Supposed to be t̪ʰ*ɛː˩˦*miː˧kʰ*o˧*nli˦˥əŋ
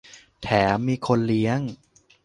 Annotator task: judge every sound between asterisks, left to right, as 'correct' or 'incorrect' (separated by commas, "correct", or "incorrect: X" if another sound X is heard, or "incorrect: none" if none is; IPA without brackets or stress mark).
correct, correct